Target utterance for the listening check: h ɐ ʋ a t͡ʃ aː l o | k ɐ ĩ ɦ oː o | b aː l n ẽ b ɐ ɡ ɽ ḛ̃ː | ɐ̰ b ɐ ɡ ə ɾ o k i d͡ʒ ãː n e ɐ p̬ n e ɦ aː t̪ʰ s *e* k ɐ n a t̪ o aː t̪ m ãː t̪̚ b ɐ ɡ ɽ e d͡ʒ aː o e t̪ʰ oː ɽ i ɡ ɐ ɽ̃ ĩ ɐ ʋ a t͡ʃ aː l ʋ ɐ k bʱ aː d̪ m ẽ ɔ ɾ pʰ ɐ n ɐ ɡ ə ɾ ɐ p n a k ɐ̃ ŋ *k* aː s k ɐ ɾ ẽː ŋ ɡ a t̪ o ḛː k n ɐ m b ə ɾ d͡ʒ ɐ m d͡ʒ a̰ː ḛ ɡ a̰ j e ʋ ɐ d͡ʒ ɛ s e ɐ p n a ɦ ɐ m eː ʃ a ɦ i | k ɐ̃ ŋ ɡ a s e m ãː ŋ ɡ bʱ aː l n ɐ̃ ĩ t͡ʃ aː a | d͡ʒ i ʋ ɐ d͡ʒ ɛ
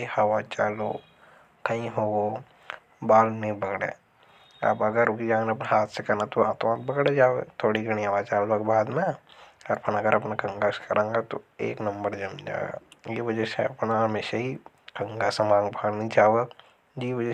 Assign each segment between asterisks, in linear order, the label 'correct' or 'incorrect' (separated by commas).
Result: correct, incorrect